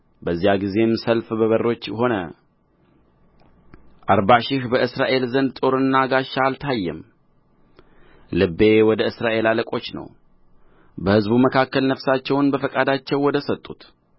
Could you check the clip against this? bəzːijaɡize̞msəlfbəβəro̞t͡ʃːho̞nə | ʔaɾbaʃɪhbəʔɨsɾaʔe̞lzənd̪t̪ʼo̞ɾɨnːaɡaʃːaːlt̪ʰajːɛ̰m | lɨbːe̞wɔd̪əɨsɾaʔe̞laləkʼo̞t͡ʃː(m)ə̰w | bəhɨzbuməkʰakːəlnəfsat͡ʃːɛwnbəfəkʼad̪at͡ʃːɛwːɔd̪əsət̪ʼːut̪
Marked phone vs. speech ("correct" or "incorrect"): incorrect